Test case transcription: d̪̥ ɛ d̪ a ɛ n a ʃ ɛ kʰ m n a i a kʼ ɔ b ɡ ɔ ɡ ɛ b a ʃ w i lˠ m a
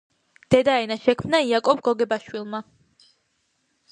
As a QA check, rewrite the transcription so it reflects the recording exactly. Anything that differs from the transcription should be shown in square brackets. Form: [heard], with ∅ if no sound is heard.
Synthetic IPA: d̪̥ ɛ d̪ a ɛ n a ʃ ɛ kʰ m n a i a kʼ ɔ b ɡ ɔ ɡ ɛ b a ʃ w i lˠ m a